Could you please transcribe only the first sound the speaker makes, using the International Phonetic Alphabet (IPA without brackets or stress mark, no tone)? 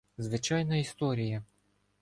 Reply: z